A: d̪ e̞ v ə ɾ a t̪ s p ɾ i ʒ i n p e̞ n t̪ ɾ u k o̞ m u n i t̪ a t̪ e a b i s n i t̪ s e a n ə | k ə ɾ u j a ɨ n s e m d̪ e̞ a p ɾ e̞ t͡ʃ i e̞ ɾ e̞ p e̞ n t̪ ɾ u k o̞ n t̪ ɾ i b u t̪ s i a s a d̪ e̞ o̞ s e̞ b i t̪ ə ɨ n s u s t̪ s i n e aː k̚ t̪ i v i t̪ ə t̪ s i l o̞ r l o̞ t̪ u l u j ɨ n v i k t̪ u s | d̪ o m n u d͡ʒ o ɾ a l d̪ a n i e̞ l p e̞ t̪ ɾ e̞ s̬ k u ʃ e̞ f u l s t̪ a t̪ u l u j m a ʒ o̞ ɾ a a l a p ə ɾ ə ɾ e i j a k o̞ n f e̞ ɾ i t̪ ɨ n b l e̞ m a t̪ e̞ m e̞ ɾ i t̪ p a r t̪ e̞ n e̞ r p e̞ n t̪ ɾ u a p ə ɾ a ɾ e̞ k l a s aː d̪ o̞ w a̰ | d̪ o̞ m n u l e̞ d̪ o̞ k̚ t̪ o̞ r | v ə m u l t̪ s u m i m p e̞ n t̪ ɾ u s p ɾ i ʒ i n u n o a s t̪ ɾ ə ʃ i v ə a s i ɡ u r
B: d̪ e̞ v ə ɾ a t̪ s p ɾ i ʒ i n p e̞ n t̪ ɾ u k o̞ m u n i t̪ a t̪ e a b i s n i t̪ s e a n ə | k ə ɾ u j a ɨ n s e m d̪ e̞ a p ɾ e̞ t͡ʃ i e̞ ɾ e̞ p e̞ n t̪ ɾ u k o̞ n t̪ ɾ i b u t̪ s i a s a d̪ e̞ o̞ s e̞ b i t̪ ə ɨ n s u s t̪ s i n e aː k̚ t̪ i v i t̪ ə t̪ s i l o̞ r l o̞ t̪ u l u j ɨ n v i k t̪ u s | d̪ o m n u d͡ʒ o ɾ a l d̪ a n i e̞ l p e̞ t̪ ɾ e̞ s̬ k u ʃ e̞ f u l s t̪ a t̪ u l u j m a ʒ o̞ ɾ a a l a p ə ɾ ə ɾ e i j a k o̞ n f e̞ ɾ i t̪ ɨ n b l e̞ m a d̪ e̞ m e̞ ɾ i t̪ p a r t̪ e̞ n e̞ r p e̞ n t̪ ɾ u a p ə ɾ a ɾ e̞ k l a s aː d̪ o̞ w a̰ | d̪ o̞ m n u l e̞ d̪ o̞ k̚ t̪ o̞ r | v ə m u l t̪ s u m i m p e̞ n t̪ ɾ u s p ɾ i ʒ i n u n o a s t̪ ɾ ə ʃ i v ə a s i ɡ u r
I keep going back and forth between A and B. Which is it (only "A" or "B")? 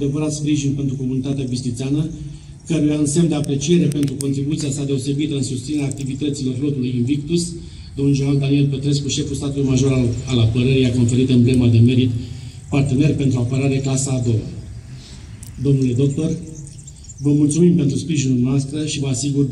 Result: B